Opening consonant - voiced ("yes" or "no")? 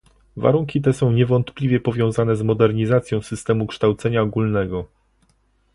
yes